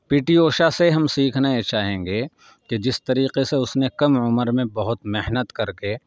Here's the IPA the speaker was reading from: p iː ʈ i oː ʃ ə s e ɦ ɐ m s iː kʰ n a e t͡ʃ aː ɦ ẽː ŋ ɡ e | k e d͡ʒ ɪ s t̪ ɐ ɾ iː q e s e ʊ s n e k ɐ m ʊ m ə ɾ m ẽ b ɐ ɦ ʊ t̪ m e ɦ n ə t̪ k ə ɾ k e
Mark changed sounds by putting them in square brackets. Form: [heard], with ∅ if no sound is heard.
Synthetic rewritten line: p iː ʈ i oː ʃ [a] s e ɦ ɐ m s iː kʰ n a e t͡ʃ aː ɦ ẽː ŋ ɡ e | k e d͡ʒ ɪ s t̪ ɐ ɾ iː q e s e ʊ s n e k ɐ m ʊ m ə ɾ m ẽ b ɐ ɦ ʊ t̪ m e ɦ n ə t̪ k [ɐ] ɾ k e